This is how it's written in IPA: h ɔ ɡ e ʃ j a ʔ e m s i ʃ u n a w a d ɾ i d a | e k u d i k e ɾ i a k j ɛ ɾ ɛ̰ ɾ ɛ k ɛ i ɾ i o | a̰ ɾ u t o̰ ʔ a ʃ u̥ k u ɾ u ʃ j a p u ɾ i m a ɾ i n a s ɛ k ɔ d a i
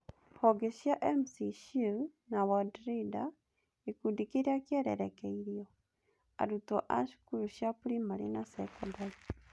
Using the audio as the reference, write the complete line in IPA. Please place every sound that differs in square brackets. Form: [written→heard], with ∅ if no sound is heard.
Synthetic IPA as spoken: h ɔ ɡ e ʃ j a ʔ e m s i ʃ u n a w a d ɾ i d a | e k u d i k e ɾ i a k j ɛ ɾ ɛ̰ ɾ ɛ k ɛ i ɾ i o | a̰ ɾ u t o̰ ʔ a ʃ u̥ k u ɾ u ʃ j a p u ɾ i m a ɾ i n a s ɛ k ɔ d a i